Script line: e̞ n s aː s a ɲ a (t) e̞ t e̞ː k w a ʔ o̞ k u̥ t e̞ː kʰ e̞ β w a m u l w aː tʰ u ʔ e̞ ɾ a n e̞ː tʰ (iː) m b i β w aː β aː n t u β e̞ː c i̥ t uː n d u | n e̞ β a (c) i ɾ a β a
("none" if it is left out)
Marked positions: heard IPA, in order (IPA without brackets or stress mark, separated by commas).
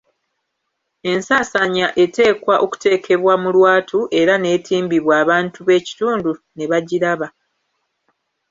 ʔ, iː, ɟ